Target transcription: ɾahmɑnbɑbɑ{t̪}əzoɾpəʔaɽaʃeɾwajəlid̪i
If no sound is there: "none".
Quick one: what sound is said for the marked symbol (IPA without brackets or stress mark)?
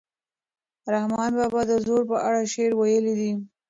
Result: d̪